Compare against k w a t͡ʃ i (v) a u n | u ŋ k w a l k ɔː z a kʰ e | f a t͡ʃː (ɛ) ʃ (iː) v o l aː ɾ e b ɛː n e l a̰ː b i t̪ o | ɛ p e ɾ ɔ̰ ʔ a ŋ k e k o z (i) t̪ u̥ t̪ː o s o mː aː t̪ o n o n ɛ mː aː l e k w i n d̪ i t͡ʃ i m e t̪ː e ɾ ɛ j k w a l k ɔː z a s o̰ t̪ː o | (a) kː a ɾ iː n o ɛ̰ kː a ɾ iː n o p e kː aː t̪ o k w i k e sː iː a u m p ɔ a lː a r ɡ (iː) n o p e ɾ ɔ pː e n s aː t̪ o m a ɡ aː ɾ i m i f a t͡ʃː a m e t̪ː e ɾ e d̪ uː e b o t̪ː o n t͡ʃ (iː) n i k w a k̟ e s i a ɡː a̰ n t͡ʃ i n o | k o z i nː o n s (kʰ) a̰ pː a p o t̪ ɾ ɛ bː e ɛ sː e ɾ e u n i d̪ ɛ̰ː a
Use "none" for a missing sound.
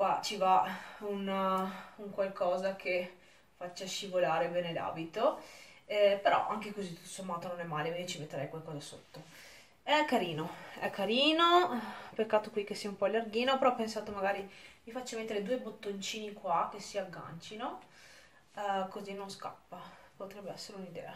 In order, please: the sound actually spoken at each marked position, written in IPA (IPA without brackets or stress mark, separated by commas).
v, a, i, i, ɛ, iː, iː, k